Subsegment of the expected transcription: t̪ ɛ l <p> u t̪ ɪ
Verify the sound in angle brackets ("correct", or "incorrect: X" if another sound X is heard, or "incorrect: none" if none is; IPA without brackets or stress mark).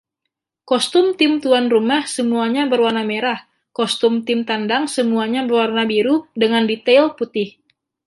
correct